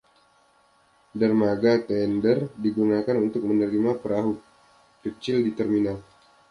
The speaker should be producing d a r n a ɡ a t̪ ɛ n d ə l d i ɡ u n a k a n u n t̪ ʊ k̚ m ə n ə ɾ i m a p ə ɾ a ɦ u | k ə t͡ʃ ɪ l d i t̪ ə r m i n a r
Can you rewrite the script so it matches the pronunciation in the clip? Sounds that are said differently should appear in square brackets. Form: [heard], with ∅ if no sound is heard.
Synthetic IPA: d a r [m] a ɡ a t̪ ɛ n d ə [r] d i ɡ u n a k a n u n t̪ ʊ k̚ m ə n ə ɾ i m a p ə ɾ a ɦ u | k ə t͡ʃ ɪ l d i t̪ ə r m i n a [l]